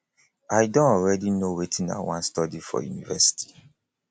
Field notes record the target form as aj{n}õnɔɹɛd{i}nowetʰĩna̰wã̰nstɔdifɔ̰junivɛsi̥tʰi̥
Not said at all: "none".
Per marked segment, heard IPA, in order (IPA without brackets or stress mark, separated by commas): d, i